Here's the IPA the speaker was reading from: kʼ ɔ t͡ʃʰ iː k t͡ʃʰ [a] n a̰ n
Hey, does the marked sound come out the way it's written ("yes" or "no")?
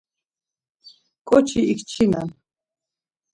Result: no